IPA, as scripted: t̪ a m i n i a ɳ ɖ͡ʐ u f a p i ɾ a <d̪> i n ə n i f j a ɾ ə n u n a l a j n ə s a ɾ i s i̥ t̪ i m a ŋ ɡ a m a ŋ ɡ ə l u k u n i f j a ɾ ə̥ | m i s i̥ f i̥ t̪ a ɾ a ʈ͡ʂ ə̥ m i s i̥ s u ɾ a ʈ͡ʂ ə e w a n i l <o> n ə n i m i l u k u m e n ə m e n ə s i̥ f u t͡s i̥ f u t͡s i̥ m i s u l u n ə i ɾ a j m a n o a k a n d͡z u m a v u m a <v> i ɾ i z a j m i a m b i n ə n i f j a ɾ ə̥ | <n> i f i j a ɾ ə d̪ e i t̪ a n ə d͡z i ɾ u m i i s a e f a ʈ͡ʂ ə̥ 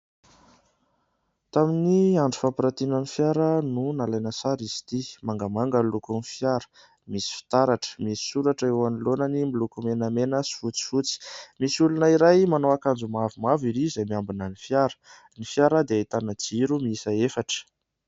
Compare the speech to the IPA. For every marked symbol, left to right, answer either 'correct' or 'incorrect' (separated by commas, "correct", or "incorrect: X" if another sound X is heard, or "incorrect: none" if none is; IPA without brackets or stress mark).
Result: incorrect: t̪, correct, correct, correct